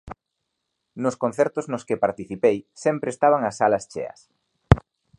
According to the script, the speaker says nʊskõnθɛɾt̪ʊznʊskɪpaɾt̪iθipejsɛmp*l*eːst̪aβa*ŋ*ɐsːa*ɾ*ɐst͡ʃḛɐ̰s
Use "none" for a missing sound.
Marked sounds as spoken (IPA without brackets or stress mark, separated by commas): ɾ, ŋ, l